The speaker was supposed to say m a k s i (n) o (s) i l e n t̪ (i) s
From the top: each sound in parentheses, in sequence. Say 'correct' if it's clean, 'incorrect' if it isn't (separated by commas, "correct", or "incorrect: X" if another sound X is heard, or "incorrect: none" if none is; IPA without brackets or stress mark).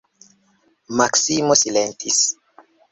incorrect: m, correct, correct